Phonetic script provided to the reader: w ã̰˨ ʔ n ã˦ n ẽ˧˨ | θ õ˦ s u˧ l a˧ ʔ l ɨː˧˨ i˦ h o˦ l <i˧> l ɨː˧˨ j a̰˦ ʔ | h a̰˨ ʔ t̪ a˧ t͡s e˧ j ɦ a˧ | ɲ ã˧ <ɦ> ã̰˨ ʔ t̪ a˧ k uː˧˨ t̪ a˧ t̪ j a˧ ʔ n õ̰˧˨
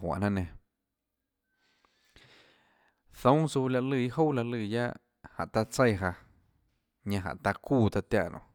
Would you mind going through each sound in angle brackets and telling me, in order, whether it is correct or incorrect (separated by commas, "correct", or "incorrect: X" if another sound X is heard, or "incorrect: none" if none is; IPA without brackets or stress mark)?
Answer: incorrect: a˧, correct